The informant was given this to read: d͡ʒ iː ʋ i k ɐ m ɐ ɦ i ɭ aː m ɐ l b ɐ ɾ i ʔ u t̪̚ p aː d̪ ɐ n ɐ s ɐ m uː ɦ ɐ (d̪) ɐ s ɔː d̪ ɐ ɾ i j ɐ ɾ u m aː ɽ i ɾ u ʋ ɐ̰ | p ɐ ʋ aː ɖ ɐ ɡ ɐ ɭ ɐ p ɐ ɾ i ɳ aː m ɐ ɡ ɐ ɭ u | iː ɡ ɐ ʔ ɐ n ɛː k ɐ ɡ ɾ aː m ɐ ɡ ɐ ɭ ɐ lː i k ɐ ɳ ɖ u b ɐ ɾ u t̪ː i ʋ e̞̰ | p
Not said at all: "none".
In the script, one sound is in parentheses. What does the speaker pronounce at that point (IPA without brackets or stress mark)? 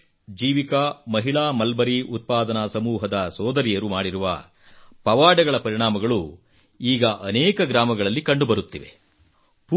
d̪